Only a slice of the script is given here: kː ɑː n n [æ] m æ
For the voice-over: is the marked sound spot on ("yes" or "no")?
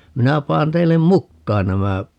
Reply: yes